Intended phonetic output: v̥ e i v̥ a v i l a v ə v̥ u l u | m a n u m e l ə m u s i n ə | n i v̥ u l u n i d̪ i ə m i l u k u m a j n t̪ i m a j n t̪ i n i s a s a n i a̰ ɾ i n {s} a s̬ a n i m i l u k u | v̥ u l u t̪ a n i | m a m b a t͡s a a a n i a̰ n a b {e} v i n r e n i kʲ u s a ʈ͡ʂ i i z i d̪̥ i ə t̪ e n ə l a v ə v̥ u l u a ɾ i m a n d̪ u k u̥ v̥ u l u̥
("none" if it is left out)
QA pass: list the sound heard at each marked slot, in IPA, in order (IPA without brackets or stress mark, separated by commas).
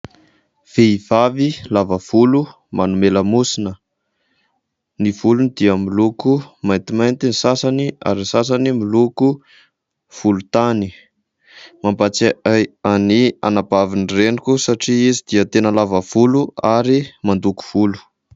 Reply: s, a